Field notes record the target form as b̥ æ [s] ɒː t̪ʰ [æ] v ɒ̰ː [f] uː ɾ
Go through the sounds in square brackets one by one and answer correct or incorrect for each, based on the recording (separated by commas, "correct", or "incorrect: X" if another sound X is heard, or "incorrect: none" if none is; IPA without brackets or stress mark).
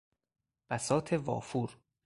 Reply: correct, incorrect: e, correct